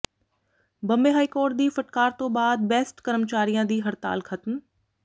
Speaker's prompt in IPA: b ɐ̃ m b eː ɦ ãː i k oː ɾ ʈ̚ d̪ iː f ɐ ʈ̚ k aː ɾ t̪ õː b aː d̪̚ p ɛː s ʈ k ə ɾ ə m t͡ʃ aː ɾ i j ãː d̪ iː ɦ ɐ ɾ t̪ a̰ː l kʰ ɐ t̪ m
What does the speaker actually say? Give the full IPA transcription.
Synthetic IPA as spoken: b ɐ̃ m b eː ɦ aː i k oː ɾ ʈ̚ d̪ iː f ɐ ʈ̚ k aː ɾ t̪ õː b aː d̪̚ b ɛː s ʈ k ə ɾ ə m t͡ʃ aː ɾ i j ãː d̪ iː ɦ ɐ ɾ t̪ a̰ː l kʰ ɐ t̪ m